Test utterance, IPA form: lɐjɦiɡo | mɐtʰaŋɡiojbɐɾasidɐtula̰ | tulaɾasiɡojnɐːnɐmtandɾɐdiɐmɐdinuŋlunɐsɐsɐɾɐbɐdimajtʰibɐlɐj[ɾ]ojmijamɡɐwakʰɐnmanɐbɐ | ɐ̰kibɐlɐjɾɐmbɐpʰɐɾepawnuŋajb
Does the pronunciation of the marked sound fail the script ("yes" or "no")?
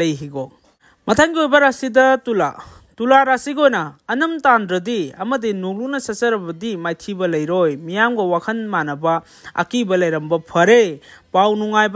no